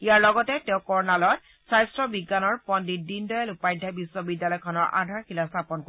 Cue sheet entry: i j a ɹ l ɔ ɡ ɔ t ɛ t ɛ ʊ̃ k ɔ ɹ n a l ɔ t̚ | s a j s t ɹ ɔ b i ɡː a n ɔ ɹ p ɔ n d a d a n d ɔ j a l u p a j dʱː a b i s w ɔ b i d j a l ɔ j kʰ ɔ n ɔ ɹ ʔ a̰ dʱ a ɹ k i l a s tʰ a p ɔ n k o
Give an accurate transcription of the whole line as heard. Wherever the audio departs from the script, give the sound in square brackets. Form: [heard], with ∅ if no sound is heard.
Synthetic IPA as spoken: i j a ɹ l ɔ ɡ ɔ t ɛ t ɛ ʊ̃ k ɔ ɹ n a l ɔ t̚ | s a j s t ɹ ɔ b i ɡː a n ɔ ɹ p ɔ n d [i] d [i] n d ɔ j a l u p a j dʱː a b i s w ɔ b i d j a l ɔ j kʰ ɔ n ɔ ɹ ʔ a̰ dʱ a ɹ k i l a s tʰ a p ɔ n k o